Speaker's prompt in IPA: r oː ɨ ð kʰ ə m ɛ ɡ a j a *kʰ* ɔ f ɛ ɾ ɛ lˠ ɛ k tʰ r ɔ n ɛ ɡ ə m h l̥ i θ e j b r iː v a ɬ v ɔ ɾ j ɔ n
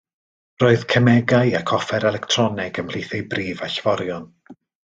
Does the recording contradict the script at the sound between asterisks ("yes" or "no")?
no